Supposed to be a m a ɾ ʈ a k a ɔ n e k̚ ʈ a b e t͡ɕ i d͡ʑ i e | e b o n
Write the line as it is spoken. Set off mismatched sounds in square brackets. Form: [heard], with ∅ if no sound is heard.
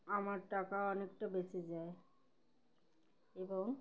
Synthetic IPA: a m a ɾ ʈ a k a ɔ n e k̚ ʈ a b e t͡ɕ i d͡ʑ [a] e | e b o [ŋ]